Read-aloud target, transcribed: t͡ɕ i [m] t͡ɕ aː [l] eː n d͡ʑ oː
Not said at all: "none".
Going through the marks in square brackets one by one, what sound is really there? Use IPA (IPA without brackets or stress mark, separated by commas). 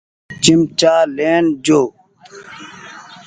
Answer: m, l